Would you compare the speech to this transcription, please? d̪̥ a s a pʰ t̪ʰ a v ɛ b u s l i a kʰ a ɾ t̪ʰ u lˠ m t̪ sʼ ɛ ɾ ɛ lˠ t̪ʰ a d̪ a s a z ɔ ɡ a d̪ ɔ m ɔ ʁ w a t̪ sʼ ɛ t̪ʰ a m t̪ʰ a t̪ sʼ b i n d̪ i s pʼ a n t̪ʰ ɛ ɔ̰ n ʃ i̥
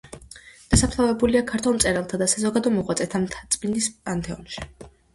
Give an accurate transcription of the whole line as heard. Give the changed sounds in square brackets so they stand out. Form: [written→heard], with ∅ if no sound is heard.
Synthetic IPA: d̪̥ a s a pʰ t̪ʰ a v ɛ b u [s→∅] l i a kʰ a ɾ t̪ʰ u lˠ m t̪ sʼ ɛ ɾ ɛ lˠ t̪ʰ a d̪ a s a z ɔ ɡ a d̪ ɔ m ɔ ʁ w a t̪ sʼ ɛ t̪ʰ a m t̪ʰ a t̪ sʼ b i n d̪ i s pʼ a n t̪ʰ ɛ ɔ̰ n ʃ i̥